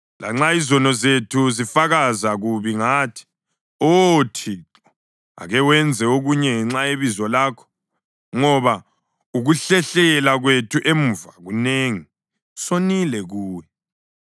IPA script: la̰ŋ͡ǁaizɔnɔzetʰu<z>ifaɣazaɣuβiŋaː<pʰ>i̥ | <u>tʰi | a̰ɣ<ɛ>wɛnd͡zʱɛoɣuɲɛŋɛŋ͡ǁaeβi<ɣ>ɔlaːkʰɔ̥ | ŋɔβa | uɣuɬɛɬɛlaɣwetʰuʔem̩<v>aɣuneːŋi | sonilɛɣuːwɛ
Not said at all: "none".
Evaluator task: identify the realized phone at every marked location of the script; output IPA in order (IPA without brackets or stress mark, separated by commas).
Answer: z, tʰ, o, ɛ, z, v